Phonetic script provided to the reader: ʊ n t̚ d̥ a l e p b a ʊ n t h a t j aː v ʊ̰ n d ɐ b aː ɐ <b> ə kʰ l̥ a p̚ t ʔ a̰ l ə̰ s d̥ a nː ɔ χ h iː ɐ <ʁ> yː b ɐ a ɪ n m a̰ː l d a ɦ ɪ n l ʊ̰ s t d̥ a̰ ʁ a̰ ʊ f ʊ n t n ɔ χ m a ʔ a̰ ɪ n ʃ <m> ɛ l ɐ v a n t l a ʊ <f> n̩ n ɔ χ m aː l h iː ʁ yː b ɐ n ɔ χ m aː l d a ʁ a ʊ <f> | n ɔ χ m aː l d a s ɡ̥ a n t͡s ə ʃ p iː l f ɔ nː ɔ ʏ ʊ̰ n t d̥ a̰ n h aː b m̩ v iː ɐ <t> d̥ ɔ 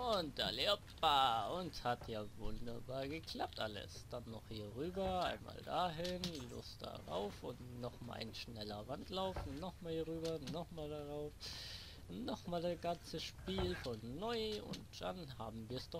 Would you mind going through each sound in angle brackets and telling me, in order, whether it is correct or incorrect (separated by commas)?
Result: incorrect, correct, incorrect, correct, correct, incorrect